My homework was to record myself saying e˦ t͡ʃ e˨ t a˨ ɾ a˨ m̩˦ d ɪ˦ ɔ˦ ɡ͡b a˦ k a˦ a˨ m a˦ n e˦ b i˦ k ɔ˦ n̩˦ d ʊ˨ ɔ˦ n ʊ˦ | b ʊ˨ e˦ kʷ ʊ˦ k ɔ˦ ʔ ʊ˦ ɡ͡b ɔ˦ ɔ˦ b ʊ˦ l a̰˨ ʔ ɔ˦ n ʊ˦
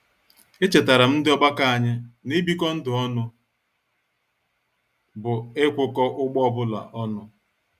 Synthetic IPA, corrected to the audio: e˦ t͡ʃ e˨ t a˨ ɾ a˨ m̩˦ d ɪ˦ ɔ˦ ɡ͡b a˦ k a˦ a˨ ɲ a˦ n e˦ b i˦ k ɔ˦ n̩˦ d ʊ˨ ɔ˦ n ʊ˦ | b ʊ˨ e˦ kʷ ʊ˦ k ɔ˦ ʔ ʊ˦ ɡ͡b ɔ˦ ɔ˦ b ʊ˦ l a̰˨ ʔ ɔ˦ n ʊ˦